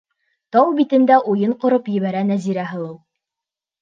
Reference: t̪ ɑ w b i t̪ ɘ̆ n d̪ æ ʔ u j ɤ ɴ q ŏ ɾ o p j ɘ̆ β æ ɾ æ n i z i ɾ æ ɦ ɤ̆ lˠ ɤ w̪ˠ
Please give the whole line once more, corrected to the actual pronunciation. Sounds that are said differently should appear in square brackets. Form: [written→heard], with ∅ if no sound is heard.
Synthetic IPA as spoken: t̪ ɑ w b i t̪ ɘ̆ n d̪ æ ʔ u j ɤ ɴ q ŏ ɾ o p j ɘ̆ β æ ɾ æ n [i→æ] z i ɾ æ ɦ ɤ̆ lˠ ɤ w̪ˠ